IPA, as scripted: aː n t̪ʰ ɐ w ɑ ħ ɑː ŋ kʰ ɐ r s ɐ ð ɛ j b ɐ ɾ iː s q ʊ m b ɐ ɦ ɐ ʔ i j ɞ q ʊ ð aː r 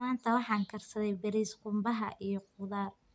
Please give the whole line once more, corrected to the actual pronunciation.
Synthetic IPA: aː n t̪ʰ ɐ w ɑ ħ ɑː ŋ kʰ ɐ r s ɐ ð ɛ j b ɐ ɾ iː s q ʊ m b ɐ ɦ ɐ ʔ i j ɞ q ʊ ð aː r